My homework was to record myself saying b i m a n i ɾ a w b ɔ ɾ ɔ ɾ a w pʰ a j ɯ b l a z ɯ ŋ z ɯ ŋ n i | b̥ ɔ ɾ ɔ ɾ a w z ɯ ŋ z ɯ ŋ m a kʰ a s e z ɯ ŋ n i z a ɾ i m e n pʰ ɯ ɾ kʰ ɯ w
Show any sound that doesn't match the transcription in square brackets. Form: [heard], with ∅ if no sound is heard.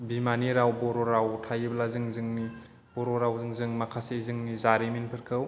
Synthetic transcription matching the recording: b i m a n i ɾ a w b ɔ ɾ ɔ ɾ a w [tʰ] a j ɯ b l a z ɯ ŋ z ɯ ŋ n i | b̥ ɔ ɾ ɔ ɾ a w z ɯ ŋ z ɯ ŋ m a kʰ a s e z ɯ ŋ n i z a ɾ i m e n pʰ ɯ ɾ kʰ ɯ w